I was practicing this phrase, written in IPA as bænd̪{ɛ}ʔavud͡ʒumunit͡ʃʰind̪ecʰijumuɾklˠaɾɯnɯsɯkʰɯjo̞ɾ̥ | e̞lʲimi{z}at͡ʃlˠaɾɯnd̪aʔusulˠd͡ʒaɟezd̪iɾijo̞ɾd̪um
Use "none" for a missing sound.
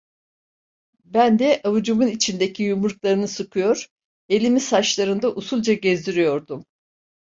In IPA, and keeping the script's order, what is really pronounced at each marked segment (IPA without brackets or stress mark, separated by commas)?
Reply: ɛ, s